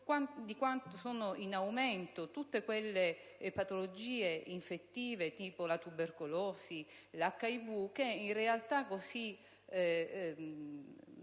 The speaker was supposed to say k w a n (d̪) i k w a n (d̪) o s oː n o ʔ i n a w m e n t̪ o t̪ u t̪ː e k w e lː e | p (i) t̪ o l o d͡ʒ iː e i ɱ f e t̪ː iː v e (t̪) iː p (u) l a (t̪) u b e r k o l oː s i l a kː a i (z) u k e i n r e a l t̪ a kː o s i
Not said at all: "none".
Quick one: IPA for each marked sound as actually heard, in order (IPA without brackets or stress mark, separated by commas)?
d̪, t̪, a, t̪, o, t̪, v